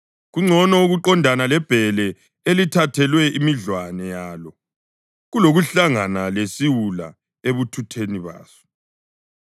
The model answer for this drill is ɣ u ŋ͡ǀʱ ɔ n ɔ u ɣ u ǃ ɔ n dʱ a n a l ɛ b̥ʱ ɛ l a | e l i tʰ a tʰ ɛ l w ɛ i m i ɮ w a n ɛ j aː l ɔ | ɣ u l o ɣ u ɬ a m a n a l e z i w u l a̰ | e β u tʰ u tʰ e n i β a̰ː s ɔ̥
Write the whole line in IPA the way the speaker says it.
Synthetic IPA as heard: ɣ u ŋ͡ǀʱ ɔ n ɔ u ɣ u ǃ ɔ n dʱ a n a l ɛ b̥ʱ ɛ l ɛ | e l i tʰ a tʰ ɛ l w ɛ i m i ɮ w a n ɛ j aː l ɔ | ɣ u l o ɣ u ɬ a ŋ a n a l e s i w u l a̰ | e β u tʰ u tʰ e n i β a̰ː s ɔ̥